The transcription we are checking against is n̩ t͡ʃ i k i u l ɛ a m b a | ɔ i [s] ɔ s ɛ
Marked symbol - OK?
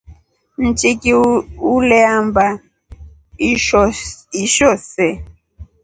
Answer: no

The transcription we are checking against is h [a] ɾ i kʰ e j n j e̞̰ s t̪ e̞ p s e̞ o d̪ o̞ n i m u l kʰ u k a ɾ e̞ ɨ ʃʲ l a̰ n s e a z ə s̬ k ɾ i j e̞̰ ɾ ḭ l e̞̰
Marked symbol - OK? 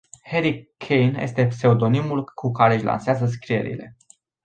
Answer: no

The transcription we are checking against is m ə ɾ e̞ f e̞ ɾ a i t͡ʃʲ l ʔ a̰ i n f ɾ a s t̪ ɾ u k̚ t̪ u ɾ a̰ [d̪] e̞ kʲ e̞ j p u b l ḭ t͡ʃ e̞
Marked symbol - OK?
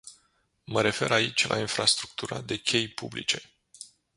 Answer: yes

